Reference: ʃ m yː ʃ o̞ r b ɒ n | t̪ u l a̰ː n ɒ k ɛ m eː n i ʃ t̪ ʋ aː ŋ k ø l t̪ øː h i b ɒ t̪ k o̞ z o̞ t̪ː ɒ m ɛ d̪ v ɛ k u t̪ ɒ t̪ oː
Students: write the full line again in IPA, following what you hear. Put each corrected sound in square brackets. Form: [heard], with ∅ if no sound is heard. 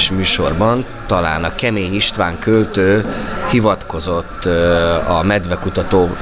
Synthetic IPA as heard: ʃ m yː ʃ o̞ r b ɒ n | t̪ [ɒ] l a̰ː n ɒ k ɛ m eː [ɲ] i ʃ t̪ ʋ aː ŋ k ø l t̪ øː h i [v] ɒ t̪ k o̞ z o̞ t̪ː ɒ m ɛ d̪ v ɛ k u t̪ ɒ t̪ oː